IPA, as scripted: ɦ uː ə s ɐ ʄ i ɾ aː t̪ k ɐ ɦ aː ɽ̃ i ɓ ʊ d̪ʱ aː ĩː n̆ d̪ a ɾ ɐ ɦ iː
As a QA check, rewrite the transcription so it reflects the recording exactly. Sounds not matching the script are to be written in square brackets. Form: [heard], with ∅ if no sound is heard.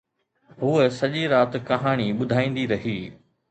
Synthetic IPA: ɦ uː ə s ɐ ʄ i ɾ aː t̪ k ɐ ɦ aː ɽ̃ i ɓ ʊ d̪ʱ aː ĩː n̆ d̪ [i] ɾ ɐ ɦ iː